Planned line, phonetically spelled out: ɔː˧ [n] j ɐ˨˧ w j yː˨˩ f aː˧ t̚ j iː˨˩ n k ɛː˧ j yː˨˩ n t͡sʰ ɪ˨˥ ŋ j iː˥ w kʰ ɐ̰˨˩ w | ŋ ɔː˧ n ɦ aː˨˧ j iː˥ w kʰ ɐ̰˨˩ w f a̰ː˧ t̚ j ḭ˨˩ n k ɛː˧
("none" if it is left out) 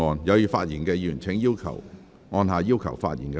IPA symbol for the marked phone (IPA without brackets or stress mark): n